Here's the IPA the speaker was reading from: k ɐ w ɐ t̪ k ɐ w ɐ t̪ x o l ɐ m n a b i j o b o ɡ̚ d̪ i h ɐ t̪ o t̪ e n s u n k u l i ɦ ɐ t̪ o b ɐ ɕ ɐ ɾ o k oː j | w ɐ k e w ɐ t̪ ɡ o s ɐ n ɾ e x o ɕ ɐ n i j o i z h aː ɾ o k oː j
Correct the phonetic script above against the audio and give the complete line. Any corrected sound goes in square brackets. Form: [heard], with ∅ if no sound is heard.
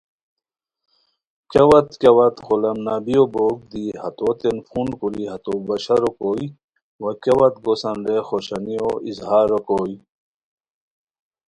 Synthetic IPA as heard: k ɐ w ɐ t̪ k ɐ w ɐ t̪ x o l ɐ m n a b i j o b o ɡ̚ d̪ i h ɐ t̪ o t̪ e n [f] u n k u l i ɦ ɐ t̪ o b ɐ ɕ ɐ ɾ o k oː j | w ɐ k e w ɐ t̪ ɡ o s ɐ n ɾ e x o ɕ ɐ n i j o i z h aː ɾ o k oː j